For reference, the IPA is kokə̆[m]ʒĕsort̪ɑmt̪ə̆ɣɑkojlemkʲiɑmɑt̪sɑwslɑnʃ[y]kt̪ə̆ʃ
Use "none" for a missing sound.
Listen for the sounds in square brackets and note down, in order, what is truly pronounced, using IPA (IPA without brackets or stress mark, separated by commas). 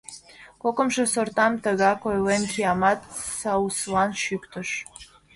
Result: m, y